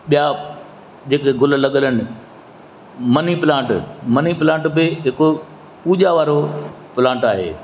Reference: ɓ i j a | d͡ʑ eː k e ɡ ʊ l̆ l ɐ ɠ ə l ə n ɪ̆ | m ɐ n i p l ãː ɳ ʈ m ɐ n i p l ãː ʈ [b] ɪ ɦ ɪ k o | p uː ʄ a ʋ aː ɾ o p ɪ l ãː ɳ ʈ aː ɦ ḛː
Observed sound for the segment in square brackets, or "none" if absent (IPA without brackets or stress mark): b